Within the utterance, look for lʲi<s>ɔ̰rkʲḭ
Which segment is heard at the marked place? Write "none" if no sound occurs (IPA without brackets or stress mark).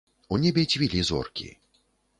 z